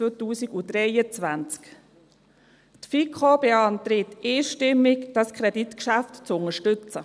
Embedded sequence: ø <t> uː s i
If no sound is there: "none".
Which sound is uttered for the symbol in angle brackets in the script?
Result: t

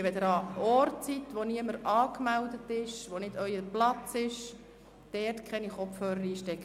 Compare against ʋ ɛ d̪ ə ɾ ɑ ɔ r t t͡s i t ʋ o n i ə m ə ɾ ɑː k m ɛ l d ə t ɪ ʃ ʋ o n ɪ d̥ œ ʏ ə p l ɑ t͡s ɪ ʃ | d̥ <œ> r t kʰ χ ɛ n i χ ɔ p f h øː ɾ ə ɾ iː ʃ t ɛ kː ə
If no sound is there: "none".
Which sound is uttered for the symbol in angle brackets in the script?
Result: ɛ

